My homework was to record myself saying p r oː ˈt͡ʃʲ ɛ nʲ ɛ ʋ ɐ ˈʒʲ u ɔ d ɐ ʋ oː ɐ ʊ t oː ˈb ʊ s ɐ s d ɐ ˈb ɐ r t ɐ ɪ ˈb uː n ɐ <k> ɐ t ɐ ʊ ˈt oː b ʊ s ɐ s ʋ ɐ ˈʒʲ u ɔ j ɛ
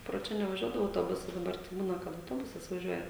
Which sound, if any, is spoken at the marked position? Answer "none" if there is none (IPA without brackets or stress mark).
k